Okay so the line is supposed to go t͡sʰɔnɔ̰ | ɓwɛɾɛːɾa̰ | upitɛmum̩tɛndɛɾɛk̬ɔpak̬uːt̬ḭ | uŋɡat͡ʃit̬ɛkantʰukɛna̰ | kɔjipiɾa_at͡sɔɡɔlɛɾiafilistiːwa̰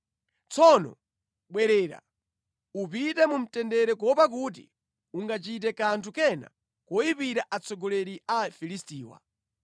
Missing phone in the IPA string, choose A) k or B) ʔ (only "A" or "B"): B